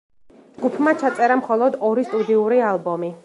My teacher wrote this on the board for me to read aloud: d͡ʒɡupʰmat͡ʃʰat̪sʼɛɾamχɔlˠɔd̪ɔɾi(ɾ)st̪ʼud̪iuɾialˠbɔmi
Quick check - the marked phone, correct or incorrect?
incorrect